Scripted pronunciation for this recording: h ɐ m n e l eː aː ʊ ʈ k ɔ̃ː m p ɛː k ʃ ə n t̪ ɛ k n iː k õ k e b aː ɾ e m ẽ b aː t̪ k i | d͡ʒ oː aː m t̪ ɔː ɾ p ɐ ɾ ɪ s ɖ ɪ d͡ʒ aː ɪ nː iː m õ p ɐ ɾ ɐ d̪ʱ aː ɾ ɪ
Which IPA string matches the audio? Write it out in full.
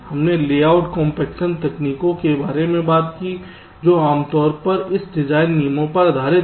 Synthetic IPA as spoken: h ɐ m n e l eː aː ʊ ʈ k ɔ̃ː m p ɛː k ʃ ə n t̪ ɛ k n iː k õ k e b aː ɾ e m ẽ b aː t̪ k i | d͡ʒ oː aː m t̪ ɔː ɾ p ɐ ɾ ɪ s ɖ ɪ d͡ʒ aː ɪ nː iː m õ p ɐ ɾ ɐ d̪ʱ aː ɾ ɪ